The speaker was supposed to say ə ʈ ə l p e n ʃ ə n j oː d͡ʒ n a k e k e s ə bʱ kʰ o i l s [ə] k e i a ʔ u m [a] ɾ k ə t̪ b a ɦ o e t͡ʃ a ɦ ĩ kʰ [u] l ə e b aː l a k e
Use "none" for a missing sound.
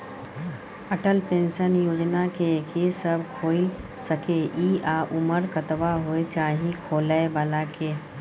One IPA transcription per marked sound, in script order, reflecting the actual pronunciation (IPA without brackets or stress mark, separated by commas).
ə, ə, o